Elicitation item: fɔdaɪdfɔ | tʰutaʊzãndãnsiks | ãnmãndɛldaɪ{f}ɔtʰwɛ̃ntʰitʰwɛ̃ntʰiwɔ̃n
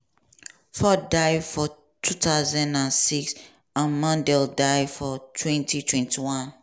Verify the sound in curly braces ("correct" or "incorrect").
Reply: correct